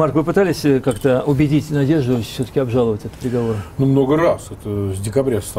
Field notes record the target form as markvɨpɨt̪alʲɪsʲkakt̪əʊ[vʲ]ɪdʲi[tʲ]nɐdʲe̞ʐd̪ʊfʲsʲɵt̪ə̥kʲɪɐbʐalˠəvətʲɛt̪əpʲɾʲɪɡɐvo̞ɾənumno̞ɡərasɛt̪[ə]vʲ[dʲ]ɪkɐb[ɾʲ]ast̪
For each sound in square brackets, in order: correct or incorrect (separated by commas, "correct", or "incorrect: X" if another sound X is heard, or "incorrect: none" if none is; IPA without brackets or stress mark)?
incorrect: bʲ, correct, correct, correct, correct